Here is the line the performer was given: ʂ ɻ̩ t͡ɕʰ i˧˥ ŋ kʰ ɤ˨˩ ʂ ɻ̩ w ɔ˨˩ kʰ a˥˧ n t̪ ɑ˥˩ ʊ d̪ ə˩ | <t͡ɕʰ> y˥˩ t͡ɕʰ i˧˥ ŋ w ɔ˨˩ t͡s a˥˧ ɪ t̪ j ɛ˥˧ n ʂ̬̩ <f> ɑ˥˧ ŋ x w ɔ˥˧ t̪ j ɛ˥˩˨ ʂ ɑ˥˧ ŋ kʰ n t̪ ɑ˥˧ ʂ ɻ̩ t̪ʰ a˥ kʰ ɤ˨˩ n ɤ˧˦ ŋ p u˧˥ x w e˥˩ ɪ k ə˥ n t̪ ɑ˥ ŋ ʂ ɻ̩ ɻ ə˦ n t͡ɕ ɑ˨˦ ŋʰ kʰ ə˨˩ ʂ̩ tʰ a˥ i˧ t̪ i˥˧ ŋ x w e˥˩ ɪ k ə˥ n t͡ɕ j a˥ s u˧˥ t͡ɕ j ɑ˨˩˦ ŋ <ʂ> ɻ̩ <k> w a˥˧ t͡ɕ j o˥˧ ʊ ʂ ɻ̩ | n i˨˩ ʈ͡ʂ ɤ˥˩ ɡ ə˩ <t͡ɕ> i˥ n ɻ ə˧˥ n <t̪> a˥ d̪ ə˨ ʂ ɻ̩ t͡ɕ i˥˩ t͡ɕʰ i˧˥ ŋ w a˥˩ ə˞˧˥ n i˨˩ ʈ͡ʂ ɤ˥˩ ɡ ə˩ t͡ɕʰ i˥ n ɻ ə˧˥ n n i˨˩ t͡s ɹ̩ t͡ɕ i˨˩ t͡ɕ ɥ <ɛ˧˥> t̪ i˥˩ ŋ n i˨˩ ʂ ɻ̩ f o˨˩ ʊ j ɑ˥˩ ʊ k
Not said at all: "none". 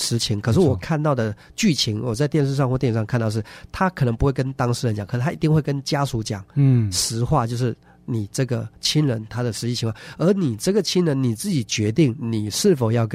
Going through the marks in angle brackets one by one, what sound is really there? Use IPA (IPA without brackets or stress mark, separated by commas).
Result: t͡ɕ, ʂ, ʂ, x, t͡ɕʰ, t̪ʰ, ɛ˧˥